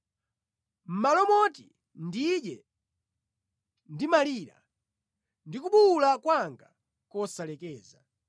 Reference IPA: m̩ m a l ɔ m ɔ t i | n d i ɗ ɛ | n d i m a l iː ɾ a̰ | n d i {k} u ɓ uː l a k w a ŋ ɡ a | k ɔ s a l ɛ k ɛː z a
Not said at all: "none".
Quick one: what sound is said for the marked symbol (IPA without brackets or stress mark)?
k